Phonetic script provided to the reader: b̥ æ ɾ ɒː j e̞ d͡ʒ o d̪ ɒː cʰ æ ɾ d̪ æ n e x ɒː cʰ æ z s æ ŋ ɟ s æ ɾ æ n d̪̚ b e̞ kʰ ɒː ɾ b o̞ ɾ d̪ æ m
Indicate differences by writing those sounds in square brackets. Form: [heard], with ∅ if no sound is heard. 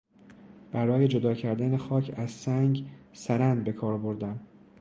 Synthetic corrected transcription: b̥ æ ɾ ɒː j e̞ d͡ʒ o d̪ ɒː cʰ æ ɾ d̪ æ n e x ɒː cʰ æ z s æ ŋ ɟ s æ ɾ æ n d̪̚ b e̞ kʰ ɒː ɾ b o̞ ɾ d̪ æ m